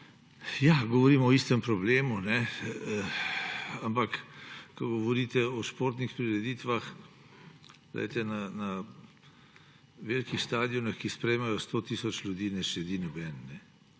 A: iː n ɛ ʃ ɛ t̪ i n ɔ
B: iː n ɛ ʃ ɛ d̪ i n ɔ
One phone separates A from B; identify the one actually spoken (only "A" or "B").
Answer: B